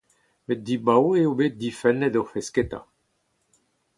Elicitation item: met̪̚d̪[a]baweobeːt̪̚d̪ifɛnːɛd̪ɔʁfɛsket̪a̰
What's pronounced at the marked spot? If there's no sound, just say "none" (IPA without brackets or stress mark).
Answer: i